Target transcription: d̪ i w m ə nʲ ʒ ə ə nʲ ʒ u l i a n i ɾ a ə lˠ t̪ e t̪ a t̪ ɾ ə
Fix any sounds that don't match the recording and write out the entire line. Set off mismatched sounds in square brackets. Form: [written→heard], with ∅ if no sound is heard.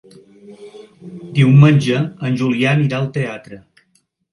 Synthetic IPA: d̪ i w m ə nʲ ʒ ə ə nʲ ʒ u l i a n i ɾ a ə lˠ t̪ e [t̪→∅] a t̪ ɾ ə